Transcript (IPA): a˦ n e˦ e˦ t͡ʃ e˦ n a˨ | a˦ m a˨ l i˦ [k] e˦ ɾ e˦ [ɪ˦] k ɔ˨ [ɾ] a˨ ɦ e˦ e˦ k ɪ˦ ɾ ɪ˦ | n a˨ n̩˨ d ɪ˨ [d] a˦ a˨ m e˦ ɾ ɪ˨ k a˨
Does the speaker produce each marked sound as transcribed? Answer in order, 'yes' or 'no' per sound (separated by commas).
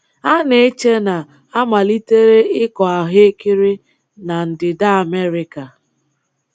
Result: no, yes, no, yes